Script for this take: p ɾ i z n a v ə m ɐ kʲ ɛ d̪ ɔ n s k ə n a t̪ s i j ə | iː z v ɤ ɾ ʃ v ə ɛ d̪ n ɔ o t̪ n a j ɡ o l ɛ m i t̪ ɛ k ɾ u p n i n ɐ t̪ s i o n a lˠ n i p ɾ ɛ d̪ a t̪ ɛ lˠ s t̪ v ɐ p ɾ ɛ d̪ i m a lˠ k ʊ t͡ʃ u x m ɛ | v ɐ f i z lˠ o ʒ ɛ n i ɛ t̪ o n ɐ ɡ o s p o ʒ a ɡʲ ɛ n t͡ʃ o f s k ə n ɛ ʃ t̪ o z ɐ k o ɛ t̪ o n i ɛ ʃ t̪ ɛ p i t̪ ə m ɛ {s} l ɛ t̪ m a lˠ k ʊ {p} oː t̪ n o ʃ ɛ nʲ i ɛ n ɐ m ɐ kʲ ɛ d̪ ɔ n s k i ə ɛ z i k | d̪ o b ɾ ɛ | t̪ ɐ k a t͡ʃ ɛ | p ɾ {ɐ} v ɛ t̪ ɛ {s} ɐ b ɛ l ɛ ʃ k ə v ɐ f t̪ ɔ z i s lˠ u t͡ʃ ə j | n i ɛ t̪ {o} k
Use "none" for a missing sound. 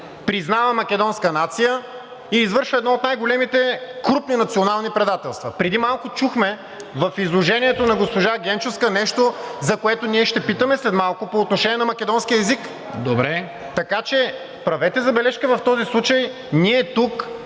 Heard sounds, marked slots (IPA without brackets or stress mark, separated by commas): s, p, ɐ, z, u